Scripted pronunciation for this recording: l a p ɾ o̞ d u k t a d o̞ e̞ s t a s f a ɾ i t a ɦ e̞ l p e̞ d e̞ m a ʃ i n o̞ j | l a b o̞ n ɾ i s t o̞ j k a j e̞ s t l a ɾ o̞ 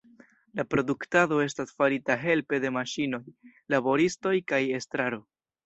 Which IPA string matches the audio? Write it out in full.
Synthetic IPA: l a p ɾ o̞ d u k t a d o̞ e̞ s t a s f a ɾ i t a ɦ e̞ l p e̞ d e̞ m a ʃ i n o̞ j | l a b o̞ ɾ i s t o̞ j k a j e̞ s t ɾ a ɾ o̞